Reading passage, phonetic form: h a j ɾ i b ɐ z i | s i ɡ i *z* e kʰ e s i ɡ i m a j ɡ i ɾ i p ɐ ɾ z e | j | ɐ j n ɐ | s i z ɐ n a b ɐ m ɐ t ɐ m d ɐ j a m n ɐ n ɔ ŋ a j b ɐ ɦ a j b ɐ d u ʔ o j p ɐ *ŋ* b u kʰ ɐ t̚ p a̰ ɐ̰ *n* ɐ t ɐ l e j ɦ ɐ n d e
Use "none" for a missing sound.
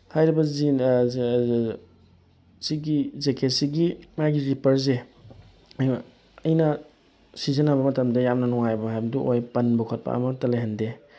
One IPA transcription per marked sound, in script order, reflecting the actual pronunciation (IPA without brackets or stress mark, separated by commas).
z, n, m